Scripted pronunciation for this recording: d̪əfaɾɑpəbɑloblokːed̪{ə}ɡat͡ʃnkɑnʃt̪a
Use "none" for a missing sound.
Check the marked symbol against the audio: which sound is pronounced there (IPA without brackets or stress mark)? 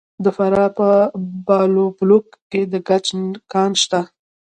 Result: ə